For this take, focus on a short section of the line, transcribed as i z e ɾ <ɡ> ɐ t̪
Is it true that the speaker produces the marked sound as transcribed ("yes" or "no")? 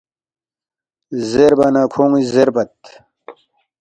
no